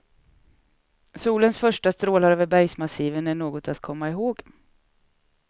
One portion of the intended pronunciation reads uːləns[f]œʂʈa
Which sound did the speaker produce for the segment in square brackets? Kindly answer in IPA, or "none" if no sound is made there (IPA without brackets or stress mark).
f